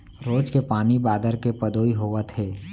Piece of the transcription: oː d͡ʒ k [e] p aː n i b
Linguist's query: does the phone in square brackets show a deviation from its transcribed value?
no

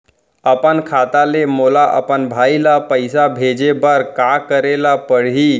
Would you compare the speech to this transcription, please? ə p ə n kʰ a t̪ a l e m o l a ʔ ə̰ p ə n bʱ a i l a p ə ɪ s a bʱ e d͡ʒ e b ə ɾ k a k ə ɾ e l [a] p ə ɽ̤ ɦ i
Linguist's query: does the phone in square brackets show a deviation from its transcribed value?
no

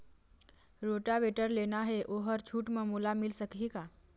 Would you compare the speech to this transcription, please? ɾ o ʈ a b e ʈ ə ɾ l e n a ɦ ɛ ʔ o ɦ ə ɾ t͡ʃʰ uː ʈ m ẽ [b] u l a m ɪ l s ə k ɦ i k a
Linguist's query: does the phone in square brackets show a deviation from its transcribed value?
yes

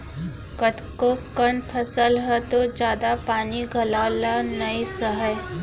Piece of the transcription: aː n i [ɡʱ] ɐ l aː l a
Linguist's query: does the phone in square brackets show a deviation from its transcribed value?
no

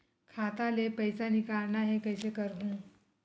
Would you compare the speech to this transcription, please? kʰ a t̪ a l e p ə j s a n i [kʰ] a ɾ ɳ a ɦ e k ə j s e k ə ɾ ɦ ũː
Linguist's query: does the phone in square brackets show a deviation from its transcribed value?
yes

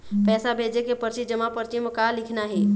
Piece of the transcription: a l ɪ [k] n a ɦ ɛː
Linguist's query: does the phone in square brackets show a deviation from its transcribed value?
yes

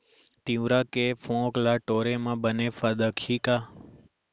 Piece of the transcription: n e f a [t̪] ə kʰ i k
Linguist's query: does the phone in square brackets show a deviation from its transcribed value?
yes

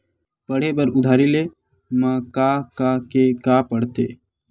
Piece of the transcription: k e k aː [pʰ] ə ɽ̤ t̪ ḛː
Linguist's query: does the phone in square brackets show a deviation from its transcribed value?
yes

